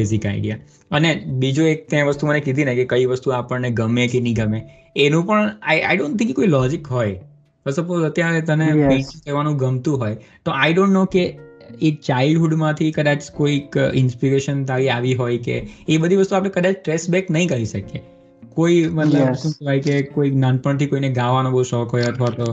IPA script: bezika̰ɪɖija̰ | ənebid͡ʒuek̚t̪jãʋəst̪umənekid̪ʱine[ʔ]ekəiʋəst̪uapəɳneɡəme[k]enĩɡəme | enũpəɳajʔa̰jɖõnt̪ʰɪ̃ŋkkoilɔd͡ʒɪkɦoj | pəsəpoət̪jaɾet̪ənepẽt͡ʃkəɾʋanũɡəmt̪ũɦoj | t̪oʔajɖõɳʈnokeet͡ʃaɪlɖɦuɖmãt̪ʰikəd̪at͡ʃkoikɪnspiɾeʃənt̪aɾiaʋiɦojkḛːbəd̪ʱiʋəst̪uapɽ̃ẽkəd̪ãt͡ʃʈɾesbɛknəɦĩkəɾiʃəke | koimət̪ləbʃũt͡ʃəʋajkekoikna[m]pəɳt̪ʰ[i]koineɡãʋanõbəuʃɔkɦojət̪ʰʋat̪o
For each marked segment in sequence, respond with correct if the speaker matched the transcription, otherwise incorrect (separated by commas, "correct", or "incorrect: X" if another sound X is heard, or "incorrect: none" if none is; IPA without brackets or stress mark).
incorrect: k, correct, incorrect: n, correct